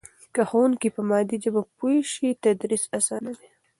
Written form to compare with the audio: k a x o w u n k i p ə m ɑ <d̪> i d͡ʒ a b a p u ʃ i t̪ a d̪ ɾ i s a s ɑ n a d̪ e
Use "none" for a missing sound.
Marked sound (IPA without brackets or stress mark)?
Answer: d̪